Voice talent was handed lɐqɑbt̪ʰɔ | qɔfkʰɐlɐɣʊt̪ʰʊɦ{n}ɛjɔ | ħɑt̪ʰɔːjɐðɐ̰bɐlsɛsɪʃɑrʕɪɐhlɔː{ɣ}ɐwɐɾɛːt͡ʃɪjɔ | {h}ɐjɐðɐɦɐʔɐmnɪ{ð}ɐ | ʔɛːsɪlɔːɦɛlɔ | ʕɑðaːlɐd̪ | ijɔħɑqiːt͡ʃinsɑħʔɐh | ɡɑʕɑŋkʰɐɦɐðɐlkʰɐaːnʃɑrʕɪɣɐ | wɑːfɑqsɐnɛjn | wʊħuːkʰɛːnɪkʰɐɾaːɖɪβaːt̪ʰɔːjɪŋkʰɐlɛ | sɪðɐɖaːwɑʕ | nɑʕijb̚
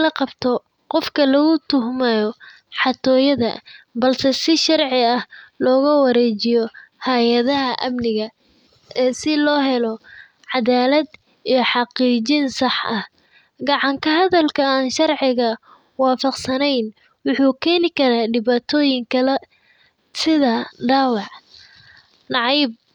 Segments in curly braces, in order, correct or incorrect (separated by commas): incorrect, correct, correct, incorrect